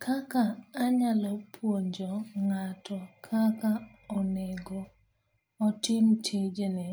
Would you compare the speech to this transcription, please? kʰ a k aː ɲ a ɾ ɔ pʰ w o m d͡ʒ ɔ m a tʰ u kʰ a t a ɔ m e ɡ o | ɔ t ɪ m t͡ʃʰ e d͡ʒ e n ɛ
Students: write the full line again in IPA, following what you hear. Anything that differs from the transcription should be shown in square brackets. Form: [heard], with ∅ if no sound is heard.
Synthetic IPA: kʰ a k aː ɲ a [l] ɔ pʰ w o [ɲ] d͡ʒ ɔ [ŋ] a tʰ [ɔ] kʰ a [k] a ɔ [n] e ɡ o | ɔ t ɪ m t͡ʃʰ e d͡ʒ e n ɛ